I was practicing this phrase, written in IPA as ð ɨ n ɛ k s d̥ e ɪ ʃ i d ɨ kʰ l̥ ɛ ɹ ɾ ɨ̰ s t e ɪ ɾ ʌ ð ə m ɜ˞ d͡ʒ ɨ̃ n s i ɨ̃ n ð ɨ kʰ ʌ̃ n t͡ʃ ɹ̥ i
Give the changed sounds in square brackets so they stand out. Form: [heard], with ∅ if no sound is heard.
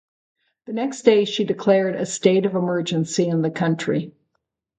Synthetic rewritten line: ð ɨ n ɛ k s d̥ e ɪ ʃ i d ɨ kʰ l̥ ɛ ɹ ɾ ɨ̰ s t e ɪ ɾ ʌ [v] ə m ɜ˞ d͡ʒ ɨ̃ n s i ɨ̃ n ð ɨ kʰ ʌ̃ n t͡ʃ ɹ̥ i